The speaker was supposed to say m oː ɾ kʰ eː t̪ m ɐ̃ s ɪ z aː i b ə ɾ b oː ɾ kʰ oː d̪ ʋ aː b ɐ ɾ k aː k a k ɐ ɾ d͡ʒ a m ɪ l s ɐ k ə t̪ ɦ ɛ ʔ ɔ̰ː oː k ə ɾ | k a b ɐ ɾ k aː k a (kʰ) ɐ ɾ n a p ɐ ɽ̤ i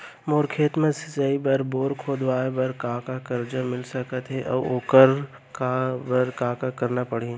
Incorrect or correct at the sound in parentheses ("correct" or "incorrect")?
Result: incorrect